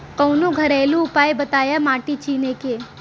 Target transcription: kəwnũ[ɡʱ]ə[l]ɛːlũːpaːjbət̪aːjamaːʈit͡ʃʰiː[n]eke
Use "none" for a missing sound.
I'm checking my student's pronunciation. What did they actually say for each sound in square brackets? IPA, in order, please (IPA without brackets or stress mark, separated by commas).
ɡʱ, ɾ, n